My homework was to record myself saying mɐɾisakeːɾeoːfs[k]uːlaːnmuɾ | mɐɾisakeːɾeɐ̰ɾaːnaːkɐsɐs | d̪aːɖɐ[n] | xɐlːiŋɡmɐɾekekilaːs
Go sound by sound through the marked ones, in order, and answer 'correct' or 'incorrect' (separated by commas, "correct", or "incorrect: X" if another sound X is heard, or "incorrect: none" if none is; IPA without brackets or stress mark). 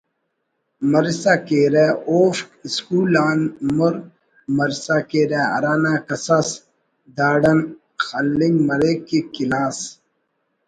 correct, correct